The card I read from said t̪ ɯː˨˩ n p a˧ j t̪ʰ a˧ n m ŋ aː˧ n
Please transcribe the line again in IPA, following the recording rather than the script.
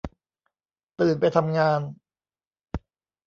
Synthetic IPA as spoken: t̪ ɯː˨˩ n p a˧ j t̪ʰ a˧ m ŋ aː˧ n